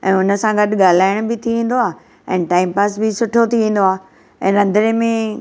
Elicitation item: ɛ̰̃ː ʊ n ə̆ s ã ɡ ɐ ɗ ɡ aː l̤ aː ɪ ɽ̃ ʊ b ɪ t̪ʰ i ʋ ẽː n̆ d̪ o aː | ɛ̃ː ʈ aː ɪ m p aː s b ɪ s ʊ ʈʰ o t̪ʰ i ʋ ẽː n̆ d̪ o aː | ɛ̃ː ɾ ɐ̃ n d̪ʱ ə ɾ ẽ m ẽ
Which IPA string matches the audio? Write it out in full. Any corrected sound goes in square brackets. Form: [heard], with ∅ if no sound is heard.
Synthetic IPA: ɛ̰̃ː ʊ n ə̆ s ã ɡ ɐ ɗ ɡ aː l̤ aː ɪ ɽ̃ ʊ b ɪ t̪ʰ i ʋ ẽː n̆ d̪ o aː | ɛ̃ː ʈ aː ɪ m p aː s b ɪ s ʊ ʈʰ o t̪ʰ i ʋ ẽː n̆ d̪ o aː | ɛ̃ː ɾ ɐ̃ n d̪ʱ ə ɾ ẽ m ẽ